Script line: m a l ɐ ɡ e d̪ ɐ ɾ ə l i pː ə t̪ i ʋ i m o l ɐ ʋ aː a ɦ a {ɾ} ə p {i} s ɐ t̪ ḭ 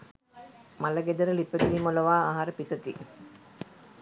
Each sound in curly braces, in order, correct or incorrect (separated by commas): correct, correct